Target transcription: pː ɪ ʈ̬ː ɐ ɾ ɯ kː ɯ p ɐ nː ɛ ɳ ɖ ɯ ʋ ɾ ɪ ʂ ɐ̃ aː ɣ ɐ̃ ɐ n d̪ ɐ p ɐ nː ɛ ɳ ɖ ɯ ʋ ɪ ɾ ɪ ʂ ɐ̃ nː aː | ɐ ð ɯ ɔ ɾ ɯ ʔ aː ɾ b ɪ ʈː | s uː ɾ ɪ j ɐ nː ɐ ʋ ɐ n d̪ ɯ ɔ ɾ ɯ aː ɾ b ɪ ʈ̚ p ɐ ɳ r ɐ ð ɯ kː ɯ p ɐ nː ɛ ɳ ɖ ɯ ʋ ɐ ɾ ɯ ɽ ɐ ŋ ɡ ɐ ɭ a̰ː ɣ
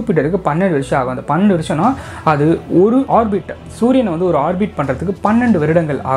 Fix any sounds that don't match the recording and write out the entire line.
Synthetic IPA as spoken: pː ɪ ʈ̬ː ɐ ɾ ɯ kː ɯ p ɐ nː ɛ ɳ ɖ ɯ ʋ ɾ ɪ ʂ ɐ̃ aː ɣ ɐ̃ ɐ n d̪ ɐ p ɐ nː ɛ ɳ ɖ ɯ ʋ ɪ ɾ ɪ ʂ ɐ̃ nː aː | ɐ ð ɯ ɔ ɾ ɯ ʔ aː ɾ b ɪ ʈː | s uː ɾ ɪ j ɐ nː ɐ ʋ ɐ n d̪ ɯ ɔ ɾ ɯ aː ɾ b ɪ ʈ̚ p ɐ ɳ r ɐ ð ɯ kː ɯ p ɐ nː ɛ ɳ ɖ ɯ ʋ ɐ ɾ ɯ ɽ ɐ ŋ ɡ ɐ ɭ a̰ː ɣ